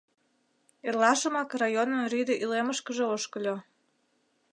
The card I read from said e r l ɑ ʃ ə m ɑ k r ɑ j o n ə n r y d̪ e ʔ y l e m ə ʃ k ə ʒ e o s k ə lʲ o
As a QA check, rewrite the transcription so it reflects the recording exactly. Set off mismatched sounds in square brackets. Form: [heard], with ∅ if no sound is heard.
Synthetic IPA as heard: e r l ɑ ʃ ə m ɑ k r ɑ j o n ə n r y d̪ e ʔ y l e m ə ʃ k ə ʒ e o [ʃ] k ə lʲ o